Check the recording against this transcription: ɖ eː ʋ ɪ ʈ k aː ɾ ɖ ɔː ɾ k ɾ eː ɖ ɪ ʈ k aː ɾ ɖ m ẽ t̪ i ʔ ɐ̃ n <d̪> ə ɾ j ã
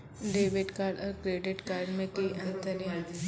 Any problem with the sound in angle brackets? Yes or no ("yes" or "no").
yes